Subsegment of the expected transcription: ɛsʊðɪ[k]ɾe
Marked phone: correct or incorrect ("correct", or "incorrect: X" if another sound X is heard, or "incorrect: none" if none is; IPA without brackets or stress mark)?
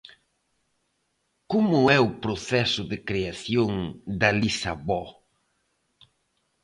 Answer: correct